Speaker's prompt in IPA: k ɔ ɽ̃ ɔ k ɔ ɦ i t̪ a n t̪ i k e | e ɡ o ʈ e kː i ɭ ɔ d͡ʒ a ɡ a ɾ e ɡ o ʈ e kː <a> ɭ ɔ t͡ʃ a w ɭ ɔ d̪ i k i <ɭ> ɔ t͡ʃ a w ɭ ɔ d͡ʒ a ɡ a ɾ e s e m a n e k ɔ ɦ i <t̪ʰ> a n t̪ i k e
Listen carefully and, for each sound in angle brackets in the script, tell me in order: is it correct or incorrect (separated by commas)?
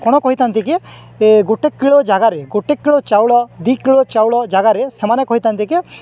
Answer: incorrect, correct, incorrect